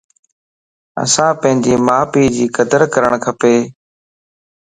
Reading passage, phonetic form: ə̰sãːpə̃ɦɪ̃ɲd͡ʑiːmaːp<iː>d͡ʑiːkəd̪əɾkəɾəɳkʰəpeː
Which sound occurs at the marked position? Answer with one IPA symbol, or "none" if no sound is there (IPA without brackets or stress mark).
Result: iː